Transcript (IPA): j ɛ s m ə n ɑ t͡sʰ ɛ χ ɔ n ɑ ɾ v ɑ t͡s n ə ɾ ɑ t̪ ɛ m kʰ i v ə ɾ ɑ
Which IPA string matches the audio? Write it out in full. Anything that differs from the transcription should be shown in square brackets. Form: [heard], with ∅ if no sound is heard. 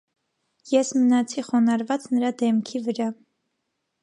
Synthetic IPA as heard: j ɛ s m ə n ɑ t͡sʰ [i] χ ɔ n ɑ ɾ v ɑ t͡s n ə ɾ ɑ [d̪] ɛ m kʰ i v ə ɾ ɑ